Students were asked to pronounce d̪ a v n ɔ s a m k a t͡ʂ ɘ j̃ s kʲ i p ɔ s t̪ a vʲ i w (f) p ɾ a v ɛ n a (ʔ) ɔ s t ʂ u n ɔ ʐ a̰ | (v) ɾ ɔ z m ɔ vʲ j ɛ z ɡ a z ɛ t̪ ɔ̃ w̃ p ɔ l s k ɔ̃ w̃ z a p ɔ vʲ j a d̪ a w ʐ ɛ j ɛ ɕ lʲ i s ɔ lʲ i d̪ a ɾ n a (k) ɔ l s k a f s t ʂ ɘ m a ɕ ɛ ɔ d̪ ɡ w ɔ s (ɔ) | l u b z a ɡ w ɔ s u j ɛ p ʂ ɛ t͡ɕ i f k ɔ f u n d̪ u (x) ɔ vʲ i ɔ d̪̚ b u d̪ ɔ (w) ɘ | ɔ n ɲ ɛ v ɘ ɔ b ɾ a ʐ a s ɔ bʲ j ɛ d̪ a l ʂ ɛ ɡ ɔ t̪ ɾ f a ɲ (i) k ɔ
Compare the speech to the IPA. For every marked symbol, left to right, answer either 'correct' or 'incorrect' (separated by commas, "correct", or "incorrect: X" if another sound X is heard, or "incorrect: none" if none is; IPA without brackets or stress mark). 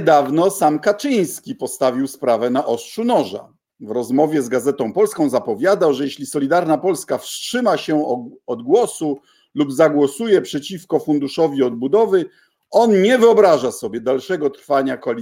incorrect: s, correct, correct, incorrect: p, incorrect: u, incorrect: ʂ, incorrect: v, incorrect: a